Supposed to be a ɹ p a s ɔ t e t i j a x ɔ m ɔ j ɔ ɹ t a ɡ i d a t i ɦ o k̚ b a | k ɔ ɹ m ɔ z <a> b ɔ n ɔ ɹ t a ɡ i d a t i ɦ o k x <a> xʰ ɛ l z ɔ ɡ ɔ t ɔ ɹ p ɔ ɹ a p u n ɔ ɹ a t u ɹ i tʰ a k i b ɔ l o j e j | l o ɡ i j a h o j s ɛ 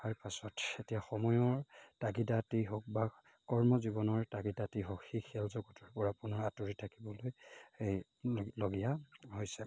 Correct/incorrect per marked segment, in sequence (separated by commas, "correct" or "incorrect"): incorrect, incorrect